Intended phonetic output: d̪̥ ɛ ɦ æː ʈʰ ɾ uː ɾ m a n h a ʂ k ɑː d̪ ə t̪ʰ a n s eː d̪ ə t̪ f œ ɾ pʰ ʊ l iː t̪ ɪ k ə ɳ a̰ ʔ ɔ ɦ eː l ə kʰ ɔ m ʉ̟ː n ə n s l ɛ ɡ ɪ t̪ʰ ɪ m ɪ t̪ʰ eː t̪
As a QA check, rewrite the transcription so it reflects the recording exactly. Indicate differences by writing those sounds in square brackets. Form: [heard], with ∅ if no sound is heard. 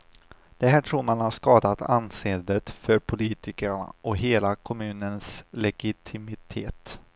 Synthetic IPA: d̪̥ ɛ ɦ æː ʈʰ ɾ uː ɾ m a n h a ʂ k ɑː d̪ [a] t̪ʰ a n s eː d̪ ə t̪ f œ ɾ pʰ ʊ l iː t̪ ɪ k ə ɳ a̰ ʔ ɔ ɦ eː l [a] kʰ ɔ m ʉ̟ː n ə n s l ɛ ɡ ɪ t̪ʰ ɪ m ɪ t̪ʰ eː t̪